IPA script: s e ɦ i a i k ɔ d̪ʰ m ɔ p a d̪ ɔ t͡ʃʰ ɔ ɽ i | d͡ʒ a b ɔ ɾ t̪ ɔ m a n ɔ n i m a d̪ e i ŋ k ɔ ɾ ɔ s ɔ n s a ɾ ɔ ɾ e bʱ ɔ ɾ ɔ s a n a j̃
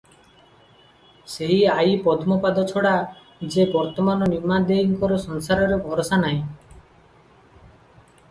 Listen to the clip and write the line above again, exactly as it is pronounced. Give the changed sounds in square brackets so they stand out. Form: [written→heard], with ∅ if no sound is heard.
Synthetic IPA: s e ɦ i a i [k→p] ɔ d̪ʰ m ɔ p a d̪ ɔ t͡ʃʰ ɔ ɽ [i→a] | d͡ʒ [a→e] b ɔ ɾ t̪ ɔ m a n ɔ n i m a d̪ e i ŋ k ɔ ɾ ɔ s ɔ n s a ɾ ɔ ɾ e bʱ ɔ ɾ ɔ s a n a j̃